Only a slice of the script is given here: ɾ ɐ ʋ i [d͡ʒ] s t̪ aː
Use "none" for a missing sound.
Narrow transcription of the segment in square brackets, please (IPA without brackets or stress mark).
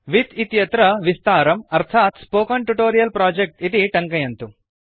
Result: none